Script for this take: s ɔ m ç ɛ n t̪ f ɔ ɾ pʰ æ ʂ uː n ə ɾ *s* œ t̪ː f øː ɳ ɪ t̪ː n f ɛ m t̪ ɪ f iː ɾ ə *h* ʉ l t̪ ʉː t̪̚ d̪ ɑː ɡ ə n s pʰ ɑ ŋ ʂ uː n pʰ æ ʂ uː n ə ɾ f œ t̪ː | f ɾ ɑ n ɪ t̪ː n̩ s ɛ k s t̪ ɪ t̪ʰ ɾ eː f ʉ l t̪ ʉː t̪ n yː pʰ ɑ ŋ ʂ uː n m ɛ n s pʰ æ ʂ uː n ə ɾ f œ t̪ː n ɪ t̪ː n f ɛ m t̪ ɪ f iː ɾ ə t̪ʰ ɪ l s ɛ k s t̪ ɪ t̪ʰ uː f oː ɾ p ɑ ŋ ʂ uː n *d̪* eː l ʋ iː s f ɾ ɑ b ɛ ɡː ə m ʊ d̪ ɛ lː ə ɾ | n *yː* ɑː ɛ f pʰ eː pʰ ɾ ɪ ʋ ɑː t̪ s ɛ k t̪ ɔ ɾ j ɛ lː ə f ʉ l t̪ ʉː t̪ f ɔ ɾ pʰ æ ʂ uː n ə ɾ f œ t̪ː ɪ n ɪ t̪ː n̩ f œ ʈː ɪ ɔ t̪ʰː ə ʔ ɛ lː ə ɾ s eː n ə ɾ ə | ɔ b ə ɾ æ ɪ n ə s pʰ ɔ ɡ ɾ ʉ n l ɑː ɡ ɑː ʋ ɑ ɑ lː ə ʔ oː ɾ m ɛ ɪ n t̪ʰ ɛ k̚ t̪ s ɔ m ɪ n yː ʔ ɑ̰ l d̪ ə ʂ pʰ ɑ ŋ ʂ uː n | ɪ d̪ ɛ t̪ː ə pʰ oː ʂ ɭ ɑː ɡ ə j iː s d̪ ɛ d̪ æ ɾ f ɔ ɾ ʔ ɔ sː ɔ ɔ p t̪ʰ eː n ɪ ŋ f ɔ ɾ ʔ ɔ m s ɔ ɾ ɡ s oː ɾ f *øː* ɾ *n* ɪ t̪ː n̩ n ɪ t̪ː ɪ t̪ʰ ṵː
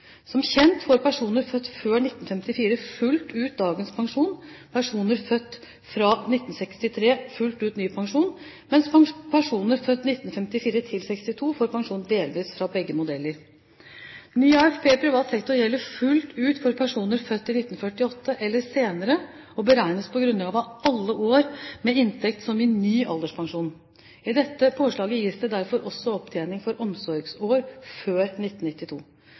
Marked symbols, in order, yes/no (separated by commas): no, no, yes, yes, yes, yes